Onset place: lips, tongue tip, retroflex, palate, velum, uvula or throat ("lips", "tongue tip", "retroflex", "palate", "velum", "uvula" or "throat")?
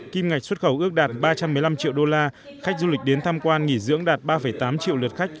velum